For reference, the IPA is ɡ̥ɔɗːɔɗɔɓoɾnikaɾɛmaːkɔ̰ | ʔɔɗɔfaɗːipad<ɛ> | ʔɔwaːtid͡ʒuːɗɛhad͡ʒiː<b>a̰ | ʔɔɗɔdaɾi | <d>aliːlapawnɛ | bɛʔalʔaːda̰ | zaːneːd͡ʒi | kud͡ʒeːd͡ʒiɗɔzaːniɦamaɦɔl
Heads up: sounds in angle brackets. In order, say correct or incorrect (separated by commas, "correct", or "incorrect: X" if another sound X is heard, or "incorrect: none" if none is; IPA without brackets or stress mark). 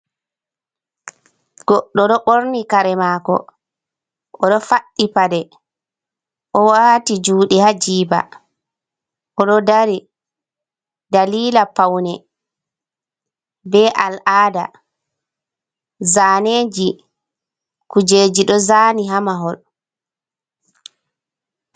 correct, correct, correct